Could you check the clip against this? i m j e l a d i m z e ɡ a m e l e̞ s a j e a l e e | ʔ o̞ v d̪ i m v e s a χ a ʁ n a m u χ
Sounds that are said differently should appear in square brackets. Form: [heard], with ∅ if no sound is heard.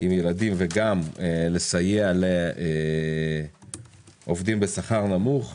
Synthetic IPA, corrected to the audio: i m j e l a d i m [v] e ɡ a m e l e̞ s a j e a l e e | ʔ o̞ v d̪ i m [b] e s a χ a ʁ n a m u χ